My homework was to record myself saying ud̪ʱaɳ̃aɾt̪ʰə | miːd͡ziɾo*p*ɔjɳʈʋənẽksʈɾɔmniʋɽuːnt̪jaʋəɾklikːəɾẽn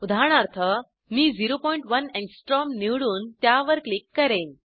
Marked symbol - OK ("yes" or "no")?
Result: yes